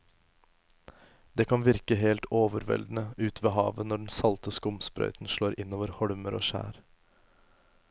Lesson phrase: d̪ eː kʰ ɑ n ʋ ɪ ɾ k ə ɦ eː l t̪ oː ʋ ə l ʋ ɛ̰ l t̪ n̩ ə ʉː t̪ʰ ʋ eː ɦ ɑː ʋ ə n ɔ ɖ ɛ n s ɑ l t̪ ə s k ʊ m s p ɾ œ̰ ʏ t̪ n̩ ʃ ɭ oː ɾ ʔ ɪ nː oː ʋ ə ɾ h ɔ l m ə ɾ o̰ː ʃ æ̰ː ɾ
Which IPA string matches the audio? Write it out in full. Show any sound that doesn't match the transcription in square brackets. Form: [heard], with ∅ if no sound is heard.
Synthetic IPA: d̪ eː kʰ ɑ n ʋ ɪ ɾ k ə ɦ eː l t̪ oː ʋ ə [ɾ] ʋ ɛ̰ l [d̪] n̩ ə ʉː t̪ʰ ʋ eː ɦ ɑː ʋ ə n ɔ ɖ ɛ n s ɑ l t̪ ə s k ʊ m s p ɾ œ̰ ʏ t̪ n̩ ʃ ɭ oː ɾ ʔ ɪ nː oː ʋ ə ɾ h ɔ [ɽ] m ə ɾ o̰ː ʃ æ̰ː ɾ